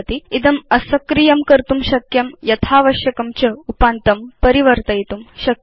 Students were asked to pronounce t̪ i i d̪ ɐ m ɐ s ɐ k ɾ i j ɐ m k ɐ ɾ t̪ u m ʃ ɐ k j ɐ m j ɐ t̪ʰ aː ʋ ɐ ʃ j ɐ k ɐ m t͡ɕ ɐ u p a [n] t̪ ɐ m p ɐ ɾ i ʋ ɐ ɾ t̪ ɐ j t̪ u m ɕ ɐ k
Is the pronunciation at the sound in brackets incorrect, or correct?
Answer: correct